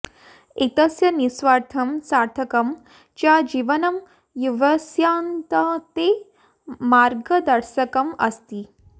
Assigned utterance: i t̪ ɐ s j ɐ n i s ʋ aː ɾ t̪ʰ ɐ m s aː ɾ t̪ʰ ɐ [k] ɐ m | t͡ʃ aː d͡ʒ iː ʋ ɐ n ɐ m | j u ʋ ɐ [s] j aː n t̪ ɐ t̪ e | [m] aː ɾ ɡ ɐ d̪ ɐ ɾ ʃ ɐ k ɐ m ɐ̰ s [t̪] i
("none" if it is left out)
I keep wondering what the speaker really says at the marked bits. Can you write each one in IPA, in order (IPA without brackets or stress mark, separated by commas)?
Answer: k, s, m, t̪